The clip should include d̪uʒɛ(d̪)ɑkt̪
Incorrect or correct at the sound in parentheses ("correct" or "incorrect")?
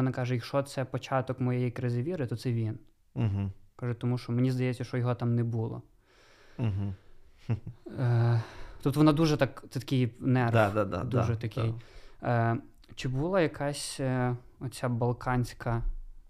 incorrect